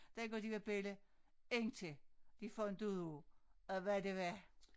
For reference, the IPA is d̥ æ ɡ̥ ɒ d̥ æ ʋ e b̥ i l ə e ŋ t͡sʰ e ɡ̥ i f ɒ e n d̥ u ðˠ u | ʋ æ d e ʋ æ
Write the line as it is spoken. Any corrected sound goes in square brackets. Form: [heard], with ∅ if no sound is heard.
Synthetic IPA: d̥ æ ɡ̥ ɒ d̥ [i] ʋ e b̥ [e] l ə e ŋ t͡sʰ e [d̥] i f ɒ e n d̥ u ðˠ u | ʋ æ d e ʋ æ